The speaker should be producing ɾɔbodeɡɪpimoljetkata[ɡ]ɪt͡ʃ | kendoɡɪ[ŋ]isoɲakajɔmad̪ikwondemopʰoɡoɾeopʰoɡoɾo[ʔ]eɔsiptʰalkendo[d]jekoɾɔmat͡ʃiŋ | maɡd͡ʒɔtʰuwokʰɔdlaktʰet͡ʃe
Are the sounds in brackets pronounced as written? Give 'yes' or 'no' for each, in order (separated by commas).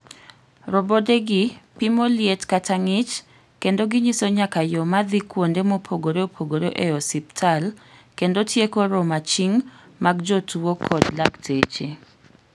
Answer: no, no, yes, no